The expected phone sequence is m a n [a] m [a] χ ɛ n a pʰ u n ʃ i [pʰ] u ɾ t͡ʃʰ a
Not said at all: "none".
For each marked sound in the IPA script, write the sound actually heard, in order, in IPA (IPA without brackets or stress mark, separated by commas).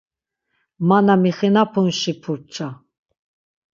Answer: a, i, pʰ